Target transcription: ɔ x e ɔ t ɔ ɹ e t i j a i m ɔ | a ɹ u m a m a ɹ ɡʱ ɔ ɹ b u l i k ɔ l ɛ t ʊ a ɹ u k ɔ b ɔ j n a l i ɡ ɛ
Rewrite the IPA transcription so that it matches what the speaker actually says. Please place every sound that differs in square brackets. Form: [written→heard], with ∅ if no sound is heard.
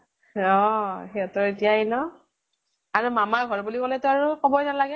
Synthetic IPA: ɔ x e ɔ t ɔ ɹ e t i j a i [m→n] ɔ | a ɹ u m a m a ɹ ɡʱ ɔ ɹ b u l i k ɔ l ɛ t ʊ a ɹ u k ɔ b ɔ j n a l [i→a] ɡ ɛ